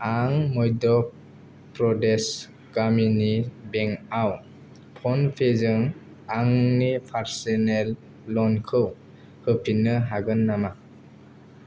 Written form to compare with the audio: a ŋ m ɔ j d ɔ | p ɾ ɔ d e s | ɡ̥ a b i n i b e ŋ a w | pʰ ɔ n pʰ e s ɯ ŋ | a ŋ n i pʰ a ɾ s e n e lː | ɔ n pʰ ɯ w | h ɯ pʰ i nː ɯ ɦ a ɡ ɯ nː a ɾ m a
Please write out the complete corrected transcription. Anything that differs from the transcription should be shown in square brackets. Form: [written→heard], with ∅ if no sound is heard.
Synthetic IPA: a ŋ m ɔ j d ɔ | p ɾ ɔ d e s | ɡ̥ a [b→m] i n i b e ŋ a w | pʰ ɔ n pʰ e [s→z] ɯ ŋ | a ŋ n i pʰ a ɾ s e n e lː | ɔ n [pʰ→kʰ] ɯ w | h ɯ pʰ i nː ɯ ɦ a ɡ ɯ nː a [ɾ→∅] m a